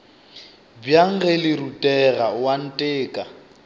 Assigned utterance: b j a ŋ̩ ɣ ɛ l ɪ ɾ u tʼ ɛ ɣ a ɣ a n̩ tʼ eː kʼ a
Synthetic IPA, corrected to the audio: b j a ŋ̩ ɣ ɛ l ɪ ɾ u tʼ ɛ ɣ a w a n̩ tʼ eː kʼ a